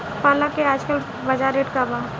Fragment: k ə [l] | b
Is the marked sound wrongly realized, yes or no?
no